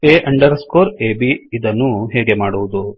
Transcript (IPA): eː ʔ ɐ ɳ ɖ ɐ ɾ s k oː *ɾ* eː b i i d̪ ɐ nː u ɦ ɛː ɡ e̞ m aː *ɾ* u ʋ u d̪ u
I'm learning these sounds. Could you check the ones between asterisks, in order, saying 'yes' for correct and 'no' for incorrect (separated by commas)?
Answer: yes, no